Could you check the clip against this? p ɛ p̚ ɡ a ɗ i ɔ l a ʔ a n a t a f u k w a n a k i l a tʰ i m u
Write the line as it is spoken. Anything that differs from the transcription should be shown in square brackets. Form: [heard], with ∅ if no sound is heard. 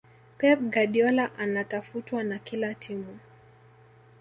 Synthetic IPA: p ɛ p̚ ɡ a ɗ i ɔ l a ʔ a n a t a f u [t] w a n a k i l a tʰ i m u